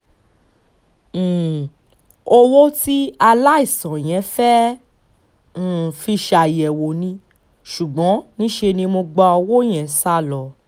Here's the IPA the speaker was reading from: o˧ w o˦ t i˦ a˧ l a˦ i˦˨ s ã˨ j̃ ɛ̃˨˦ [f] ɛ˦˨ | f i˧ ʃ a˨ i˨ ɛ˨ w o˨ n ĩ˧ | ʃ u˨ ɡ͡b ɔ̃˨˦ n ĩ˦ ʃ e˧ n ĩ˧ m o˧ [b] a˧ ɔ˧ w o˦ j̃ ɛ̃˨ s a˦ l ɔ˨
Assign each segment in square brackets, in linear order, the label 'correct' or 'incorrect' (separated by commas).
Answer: correct, incorrect